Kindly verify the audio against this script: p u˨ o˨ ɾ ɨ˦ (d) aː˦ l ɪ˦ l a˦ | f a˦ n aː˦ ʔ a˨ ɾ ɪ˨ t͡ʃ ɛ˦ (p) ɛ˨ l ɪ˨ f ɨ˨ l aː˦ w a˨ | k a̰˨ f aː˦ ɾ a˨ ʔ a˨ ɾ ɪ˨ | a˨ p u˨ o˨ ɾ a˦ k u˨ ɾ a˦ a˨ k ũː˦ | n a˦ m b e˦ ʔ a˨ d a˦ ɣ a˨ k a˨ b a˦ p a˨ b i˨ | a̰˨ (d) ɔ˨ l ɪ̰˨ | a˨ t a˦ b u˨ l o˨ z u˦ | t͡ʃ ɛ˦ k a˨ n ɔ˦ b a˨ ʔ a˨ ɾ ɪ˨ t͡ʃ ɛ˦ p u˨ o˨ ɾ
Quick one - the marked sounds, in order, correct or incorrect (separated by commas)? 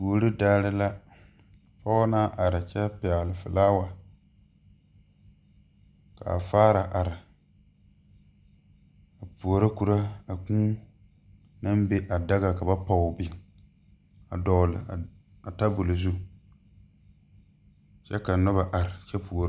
correct, correct, correct